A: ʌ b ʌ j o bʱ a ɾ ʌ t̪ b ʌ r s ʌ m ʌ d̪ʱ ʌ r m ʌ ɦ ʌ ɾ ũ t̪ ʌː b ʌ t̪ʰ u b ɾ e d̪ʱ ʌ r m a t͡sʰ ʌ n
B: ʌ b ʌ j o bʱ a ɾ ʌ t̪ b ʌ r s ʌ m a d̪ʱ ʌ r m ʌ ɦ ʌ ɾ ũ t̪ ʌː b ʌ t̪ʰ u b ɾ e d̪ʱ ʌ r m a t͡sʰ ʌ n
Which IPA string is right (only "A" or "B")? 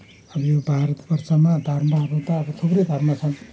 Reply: B